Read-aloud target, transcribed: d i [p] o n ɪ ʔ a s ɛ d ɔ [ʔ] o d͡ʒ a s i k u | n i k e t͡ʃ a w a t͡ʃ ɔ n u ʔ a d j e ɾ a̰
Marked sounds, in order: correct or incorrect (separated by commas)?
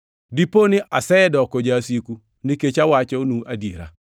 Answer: correct, incorrect